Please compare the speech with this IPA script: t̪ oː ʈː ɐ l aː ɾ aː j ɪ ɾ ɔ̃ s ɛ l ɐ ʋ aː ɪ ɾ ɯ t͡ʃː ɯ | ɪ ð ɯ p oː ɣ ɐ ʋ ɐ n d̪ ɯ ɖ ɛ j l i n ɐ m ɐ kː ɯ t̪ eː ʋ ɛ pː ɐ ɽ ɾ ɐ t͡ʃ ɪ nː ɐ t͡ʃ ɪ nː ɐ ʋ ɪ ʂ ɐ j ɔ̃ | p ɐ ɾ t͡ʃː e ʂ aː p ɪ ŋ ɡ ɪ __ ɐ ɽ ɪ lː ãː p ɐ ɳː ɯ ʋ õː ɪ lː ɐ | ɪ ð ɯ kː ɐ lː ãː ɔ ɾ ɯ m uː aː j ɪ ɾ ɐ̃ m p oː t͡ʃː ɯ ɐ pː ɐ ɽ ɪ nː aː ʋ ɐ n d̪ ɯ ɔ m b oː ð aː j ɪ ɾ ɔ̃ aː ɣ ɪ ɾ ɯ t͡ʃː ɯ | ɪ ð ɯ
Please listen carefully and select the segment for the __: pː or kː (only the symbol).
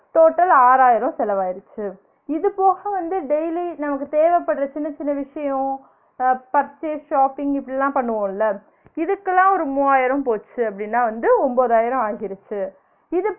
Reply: pː